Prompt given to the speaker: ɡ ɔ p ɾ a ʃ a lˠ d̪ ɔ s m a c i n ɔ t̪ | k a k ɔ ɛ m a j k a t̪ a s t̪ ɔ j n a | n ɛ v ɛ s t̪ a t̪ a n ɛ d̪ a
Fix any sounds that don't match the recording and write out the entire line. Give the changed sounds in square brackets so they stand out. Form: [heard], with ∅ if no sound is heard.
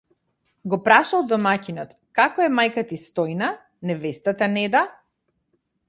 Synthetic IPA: ɡ ɔ p ɾ a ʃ a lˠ d̪ ɔ [∅] m a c i n ɔ t̪ | k a k ɔ ɛ m a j k a t̪ [i] s t̪ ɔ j n a | n ɛ v ɛ s t̪ a t̪ a n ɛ d̪ a